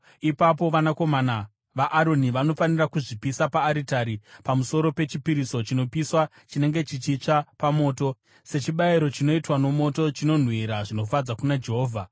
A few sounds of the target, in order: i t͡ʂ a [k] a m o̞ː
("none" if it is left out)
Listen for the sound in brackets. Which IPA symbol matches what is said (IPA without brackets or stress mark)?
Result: p